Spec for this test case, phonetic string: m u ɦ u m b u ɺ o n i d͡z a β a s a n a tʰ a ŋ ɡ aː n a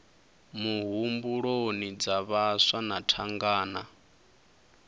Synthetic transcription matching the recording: m u ɦ u m b u ɺ o n i d͡z a β a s a n a tʰ a ŋ ɡ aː n a